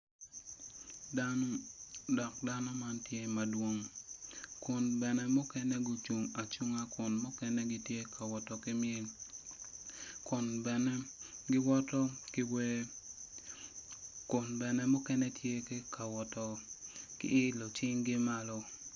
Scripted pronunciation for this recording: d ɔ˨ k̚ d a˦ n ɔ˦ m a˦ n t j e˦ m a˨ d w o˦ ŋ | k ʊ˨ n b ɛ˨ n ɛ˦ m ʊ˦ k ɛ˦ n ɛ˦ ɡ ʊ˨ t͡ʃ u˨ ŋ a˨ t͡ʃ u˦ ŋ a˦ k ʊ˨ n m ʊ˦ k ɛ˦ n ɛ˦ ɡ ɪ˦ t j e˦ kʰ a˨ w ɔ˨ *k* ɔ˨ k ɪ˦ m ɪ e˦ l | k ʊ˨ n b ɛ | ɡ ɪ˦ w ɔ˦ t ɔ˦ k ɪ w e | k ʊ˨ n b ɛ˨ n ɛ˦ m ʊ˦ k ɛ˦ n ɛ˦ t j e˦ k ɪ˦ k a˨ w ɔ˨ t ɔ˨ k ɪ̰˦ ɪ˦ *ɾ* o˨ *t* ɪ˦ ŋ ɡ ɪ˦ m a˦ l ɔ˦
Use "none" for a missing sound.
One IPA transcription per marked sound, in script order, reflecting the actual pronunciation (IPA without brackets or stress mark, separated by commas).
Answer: t, l, t͡ʃ